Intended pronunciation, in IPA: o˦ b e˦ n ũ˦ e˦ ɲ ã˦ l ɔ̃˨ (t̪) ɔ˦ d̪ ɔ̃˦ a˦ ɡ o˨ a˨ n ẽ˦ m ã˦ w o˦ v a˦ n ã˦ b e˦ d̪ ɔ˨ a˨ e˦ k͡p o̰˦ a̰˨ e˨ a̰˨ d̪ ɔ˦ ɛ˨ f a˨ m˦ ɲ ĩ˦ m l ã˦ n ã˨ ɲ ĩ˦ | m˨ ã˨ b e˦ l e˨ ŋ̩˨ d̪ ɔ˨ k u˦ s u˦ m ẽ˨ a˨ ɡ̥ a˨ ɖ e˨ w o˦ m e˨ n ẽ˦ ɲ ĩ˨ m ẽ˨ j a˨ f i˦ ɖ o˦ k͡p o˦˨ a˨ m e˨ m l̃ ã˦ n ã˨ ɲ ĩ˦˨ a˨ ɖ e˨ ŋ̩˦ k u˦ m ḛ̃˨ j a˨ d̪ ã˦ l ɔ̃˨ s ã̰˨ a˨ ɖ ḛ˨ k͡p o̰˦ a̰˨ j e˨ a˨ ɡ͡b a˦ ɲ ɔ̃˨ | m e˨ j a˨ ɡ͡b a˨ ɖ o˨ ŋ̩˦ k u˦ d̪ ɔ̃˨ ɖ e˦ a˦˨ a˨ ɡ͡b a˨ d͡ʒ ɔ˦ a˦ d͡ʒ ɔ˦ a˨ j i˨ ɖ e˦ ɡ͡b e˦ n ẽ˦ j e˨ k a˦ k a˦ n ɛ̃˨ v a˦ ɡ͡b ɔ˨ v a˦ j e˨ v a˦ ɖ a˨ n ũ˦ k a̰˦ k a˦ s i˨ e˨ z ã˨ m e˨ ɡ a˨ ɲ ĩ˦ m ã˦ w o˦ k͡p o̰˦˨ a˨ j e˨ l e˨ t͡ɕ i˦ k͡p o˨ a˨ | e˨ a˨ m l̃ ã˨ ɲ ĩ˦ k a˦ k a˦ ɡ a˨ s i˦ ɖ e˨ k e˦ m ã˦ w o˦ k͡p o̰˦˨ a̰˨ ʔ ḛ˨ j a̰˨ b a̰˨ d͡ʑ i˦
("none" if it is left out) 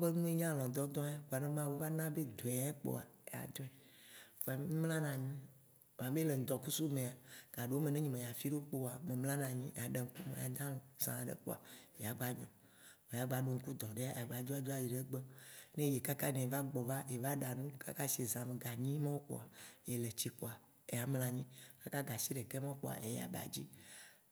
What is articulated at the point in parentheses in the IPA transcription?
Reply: d̪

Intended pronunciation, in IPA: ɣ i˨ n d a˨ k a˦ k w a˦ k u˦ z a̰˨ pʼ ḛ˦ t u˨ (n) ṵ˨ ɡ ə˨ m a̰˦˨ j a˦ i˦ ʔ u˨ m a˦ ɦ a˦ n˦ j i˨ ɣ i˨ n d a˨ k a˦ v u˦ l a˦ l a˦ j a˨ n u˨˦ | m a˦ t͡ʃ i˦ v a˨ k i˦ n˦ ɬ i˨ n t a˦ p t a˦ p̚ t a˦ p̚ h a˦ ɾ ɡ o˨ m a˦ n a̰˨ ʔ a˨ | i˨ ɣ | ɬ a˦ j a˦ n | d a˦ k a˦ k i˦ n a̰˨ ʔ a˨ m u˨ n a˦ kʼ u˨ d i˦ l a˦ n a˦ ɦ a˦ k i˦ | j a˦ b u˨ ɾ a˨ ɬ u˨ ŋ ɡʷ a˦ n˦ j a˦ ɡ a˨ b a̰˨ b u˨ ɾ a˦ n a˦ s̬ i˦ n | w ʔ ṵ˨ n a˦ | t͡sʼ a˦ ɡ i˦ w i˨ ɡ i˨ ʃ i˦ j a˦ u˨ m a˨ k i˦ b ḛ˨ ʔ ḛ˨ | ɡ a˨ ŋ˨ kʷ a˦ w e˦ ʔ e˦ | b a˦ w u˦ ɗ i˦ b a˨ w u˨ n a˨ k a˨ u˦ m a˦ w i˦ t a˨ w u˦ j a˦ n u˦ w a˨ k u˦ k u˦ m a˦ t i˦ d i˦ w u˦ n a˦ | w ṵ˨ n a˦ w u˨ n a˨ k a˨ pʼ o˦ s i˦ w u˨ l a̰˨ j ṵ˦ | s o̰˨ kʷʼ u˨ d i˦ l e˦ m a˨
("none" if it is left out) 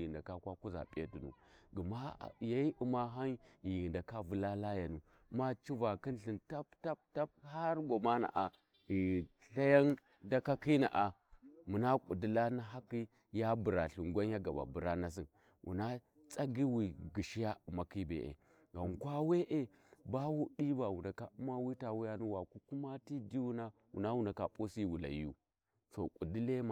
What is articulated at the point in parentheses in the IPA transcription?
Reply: n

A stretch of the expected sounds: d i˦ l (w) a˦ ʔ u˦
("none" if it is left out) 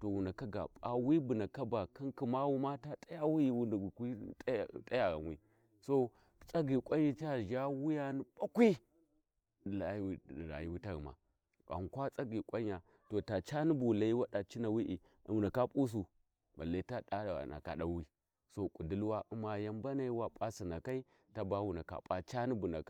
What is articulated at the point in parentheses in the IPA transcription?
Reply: w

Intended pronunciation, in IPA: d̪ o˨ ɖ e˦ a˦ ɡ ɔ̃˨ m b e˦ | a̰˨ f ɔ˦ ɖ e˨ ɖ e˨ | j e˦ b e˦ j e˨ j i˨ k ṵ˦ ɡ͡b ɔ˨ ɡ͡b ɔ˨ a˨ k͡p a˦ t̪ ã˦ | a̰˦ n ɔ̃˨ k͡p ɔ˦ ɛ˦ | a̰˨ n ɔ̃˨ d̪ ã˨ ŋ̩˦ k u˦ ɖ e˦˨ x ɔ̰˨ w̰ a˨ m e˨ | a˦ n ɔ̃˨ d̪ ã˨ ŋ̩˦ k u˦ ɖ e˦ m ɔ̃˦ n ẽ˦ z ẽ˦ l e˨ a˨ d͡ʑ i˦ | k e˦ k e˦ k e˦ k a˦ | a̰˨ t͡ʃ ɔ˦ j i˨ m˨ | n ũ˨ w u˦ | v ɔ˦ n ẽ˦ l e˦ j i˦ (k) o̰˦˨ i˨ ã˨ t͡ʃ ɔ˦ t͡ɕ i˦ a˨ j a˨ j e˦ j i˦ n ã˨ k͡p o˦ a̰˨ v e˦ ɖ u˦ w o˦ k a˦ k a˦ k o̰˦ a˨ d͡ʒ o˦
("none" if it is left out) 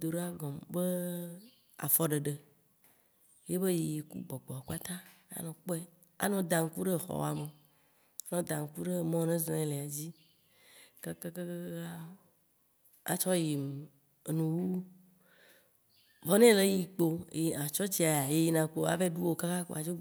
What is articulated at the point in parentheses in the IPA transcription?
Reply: k͡p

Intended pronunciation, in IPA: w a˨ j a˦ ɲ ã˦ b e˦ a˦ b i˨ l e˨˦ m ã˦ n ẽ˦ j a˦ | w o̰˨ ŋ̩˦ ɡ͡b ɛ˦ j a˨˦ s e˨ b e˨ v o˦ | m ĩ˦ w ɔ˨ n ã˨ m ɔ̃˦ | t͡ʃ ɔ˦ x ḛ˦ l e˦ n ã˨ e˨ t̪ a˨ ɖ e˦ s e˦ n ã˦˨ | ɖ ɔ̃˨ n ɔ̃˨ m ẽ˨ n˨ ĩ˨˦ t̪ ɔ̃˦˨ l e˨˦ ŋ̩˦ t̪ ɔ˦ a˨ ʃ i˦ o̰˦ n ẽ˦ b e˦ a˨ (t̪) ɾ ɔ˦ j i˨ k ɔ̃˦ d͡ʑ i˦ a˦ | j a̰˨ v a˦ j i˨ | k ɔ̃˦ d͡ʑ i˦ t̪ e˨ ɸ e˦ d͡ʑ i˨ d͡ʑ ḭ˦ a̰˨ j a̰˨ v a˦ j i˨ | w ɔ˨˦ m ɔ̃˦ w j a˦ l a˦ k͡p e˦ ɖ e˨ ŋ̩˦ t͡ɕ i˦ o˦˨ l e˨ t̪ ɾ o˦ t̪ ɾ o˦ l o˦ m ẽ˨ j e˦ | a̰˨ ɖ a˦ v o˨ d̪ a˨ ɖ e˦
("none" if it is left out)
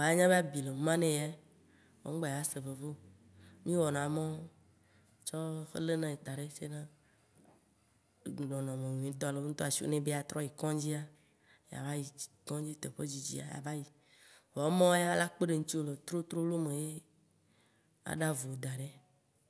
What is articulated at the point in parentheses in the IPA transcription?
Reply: t̪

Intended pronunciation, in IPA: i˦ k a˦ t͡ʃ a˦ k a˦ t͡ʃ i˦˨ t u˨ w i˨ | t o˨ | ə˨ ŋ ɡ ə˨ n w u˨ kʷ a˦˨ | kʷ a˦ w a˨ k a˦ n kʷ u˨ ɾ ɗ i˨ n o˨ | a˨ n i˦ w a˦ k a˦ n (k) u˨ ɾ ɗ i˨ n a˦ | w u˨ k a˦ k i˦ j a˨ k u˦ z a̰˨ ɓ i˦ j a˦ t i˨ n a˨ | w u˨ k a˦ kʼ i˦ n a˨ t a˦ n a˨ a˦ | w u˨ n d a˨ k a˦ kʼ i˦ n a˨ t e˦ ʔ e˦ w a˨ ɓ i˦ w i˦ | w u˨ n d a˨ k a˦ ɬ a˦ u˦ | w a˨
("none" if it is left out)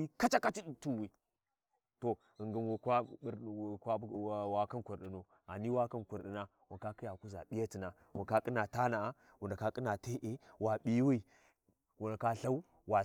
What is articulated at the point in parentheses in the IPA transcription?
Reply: k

